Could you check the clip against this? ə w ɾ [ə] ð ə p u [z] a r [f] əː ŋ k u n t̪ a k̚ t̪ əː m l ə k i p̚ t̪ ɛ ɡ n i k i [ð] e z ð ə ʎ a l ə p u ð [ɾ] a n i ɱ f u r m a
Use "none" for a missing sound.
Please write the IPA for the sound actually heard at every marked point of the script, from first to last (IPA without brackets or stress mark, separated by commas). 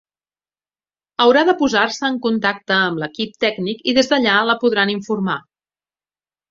a, z, s, ð, ɾ